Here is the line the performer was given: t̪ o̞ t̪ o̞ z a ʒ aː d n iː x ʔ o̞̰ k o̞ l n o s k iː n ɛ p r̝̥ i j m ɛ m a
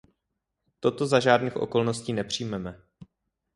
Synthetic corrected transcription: t̪ o̞ t̪ o̞ z a ʒ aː d n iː x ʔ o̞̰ k o̞ l n o s c iː n ɛ p r̝̥ i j m ɛ m ɛ

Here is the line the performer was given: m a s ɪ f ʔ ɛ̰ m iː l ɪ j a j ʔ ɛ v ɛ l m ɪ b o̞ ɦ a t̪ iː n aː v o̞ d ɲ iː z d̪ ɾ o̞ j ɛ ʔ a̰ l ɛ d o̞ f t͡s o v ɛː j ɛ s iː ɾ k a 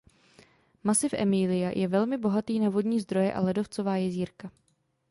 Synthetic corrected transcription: m a s ɪ f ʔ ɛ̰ m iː l ɪ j a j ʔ ɛ v ɛ l m ɪ b o̞ ɦ a t̪ iː n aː v o̞ d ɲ iː z d̪ ɾ o̞ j ɛ ʔ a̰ l ɛ d o̞ f t͡s o v aː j ɛ z iː ɾ k a

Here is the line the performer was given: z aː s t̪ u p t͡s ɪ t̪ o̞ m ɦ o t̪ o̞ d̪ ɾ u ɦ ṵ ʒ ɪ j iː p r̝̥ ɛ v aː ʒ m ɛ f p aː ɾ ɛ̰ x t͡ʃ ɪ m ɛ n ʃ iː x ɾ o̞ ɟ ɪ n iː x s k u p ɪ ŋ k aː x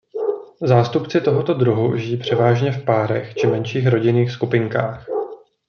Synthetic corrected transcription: z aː s t̪ u p t͡s ɪ t̪ o̞ ɦ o t̪ o̞ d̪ ɾ u ɦ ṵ ʒ ɪ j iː p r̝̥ ɛ v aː ʒ ɲ ɛ f p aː ɾ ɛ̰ x t͡ʃ ɪ m ɛ n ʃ iː x ɾ o̞ ɟ ɪ n iː x s k u p ɪ ŋ k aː x

